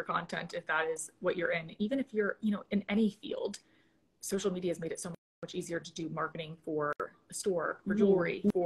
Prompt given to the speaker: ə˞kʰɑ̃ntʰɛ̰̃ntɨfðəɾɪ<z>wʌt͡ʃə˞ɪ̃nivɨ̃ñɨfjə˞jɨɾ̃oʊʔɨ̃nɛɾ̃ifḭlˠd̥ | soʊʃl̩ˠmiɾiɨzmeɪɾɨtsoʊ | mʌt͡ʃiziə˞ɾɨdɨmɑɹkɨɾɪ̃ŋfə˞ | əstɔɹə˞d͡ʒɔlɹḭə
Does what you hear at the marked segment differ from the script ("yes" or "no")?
no